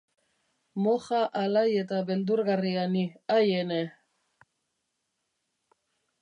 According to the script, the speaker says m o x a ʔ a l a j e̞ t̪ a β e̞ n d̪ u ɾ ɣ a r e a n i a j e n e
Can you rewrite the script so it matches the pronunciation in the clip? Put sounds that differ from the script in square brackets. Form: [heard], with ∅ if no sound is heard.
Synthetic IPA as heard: m o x a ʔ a l a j e̞ t̪ a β e̞ n d̪ u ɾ ɣ a r [i] a n i a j e n e